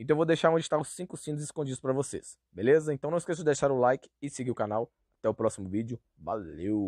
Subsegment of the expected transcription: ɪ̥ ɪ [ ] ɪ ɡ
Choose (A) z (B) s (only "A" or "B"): B